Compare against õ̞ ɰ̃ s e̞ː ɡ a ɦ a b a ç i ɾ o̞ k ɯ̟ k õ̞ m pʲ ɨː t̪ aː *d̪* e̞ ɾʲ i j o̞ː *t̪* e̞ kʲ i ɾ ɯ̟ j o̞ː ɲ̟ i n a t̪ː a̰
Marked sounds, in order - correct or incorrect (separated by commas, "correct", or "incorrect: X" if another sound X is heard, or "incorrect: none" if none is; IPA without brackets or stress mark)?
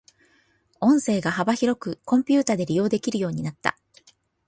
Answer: correct, incorrect: d̪